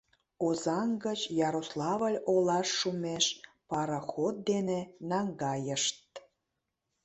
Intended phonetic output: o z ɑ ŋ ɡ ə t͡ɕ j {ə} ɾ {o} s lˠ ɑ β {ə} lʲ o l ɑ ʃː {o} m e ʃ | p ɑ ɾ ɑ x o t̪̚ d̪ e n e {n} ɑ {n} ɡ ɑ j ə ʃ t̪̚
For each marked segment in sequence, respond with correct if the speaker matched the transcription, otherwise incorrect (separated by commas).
incorrect, correct, correct, incorrect, correct, incorrect